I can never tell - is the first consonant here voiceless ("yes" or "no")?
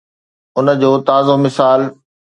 no